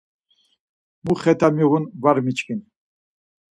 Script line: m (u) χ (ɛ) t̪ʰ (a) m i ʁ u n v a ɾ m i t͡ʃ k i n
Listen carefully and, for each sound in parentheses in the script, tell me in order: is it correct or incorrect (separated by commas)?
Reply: correct, correct, correct